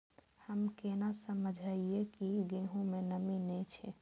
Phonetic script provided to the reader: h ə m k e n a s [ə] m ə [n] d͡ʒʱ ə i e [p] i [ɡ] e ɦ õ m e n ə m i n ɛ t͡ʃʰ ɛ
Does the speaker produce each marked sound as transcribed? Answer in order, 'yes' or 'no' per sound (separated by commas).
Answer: yes, no, no, yes